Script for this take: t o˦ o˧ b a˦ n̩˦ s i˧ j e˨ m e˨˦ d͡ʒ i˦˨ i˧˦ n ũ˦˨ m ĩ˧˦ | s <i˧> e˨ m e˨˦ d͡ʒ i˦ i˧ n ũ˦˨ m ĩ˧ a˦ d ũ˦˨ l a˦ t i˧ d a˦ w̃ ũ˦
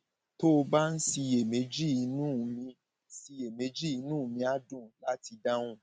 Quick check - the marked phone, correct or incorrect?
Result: correct